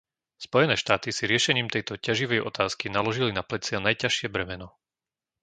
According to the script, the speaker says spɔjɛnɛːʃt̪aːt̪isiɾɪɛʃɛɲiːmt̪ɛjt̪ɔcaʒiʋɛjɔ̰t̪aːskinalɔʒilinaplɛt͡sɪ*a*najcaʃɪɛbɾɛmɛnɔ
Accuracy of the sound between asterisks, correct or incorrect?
correct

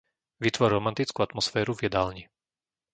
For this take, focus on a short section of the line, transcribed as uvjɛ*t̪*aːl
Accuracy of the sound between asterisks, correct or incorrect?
incorrect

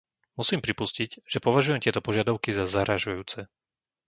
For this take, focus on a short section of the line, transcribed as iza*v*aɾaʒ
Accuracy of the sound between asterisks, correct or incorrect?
incorrect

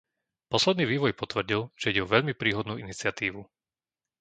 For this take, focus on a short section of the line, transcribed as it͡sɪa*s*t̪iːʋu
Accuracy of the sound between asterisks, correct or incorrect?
incorrect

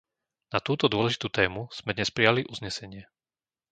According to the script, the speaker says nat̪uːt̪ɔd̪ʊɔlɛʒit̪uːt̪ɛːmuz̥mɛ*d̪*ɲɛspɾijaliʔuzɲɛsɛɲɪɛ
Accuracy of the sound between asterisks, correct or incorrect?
correct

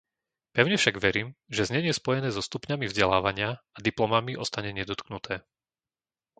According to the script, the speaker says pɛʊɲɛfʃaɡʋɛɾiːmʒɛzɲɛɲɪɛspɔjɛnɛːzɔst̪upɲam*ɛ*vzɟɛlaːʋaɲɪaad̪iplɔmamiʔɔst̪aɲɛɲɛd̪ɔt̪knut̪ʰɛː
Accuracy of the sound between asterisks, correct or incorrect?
incorrect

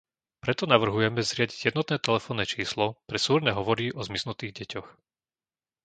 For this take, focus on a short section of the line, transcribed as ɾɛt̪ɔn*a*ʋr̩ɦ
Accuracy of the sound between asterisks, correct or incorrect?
correct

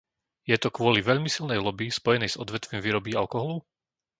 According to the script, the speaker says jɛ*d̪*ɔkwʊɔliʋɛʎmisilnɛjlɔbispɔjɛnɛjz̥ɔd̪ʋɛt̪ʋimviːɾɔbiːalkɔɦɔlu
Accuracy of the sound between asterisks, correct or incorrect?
incorrect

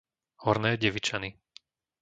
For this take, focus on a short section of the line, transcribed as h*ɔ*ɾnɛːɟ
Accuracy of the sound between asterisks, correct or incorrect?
correct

